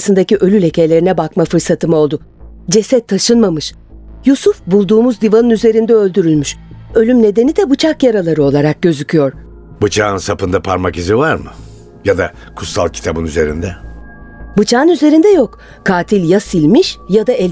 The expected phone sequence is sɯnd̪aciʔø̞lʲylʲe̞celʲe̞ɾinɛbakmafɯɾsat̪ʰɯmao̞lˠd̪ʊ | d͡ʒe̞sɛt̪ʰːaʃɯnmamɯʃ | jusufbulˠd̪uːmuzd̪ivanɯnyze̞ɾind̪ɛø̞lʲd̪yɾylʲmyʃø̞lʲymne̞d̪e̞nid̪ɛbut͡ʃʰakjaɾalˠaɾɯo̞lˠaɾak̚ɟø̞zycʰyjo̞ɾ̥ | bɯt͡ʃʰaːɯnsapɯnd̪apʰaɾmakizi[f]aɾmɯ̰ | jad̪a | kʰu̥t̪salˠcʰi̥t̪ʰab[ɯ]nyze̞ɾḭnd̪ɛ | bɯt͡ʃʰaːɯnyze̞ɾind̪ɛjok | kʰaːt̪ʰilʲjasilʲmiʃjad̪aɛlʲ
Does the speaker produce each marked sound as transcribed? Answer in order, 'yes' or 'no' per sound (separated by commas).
no, yes